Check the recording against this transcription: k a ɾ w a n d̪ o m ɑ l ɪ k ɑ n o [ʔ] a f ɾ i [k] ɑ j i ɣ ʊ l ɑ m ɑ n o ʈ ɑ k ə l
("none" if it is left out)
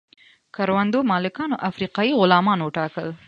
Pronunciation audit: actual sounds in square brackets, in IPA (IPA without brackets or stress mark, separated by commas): ʔ, q